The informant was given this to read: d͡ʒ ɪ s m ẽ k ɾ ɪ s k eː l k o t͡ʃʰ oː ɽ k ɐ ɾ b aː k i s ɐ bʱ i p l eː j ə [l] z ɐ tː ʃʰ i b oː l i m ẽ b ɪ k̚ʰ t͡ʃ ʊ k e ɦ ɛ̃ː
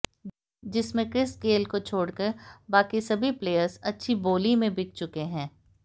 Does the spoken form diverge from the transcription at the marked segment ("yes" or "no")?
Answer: yes